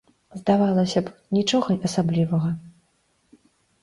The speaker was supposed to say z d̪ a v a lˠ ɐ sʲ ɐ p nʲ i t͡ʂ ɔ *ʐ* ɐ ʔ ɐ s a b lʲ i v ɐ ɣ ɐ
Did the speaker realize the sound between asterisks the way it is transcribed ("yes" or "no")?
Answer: no